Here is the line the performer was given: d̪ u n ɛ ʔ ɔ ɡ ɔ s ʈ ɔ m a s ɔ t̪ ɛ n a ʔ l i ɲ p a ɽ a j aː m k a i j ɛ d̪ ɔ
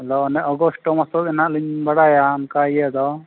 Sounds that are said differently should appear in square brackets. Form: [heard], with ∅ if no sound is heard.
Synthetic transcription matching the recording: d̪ [ɔ] n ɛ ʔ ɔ ɡ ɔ s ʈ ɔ m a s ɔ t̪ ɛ n a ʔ l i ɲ [b] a ɽ a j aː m k a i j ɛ d̪ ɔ